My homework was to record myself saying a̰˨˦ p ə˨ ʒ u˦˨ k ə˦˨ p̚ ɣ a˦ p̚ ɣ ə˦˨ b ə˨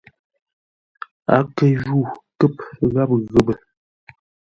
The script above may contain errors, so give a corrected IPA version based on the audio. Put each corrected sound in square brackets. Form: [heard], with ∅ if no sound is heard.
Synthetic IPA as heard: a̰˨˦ [k] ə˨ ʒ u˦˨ k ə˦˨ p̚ ɣ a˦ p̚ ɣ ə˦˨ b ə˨